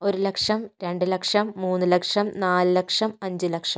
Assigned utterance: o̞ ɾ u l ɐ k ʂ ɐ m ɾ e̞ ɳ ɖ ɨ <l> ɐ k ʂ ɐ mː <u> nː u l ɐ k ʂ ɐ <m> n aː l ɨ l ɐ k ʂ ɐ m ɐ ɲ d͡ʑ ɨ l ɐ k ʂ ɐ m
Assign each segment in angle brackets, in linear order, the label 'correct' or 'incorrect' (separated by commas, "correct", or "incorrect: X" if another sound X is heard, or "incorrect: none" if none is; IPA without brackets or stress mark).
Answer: correct, incorrect: uː, correct